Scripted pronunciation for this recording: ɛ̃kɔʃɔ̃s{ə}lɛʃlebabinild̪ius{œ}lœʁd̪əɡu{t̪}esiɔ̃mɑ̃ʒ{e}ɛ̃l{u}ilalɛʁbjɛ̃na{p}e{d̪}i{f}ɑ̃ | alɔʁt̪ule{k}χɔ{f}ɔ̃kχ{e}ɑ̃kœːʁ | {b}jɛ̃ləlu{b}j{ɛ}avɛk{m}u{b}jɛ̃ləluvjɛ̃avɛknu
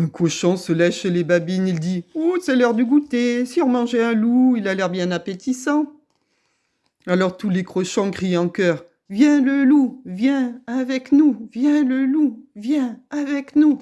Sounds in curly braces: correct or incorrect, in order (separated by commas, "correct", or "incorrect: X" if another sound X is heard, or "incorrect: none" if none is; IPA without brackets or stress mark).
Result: correct, incorrect: ɛ, correct, correct, correct, correct, incorrect: t̪, incorrect: s, correct, incorrect: ʃ, incorrect: i, incorrect: v, incorrect: v, incorrect: ɛ̃, incorrect: n, incorrect: v